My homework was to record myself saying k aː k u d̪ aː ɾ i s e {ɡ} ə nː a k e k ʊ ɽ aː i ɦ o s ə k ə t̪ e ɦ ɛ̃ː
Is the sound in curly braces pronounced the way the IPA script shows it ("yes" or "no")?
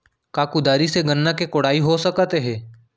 yes